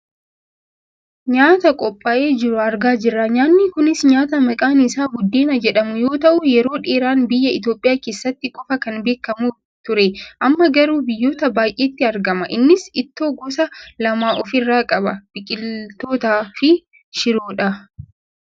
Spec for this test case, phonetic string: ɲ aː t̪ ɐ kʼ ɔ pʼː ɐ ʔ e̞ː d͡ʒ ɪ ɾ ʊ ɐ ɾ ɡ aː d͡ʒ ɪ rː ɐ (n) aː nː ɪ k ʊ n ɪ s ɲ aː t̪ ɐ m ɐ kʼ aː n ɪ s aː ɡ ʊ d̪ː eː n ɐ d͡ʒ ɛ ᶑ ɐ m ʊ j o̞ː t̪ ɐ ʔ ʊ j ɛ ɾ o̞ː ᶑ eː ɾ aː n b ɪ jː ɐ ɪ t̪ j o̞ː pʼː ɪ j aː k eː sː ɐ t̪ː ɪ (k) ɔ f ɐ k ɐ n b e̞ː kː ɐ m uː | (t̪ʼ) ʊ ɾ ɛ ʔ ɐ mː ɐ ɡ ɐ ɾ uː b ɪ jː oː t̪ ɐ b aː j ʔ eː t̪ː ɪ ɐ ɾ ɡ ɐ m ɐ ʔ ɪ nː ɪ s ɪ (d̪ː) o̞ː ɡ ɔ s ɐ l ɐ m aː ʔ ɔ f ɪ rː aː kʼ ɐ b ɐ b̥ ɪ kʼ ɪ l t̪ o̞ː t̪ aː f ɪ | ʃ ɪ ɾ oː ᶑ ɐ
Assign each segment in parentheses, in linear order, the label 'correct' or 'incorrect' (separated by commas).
incorrect, incorrect, incorrect, incorrect